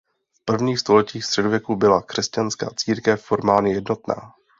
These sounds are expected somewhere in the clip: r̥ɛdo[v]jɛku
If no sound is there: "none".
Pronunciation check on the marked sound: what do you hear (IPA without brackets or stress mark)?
v